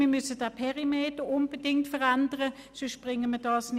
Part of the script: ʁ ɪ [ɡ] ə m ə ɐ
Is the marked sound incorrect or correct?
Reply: incorrect